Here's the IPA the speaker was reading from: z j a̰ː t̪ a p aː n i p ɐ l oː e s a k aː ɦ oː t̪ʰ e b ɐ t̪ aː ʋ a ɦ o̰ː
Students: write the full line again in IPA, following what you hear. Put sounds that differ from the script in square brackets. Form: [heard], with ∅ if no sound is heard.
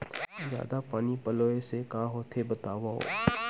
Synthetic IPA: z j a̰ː [d̪] a p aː n i p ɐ l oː e s [e] k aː ɦ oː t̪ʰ e b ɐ t̪ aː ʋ a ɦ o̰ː